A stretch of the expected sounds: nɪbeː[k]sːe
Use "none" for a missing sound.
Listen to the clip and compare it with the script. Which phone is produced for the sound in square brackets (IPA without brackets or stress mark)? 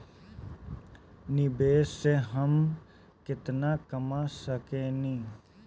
none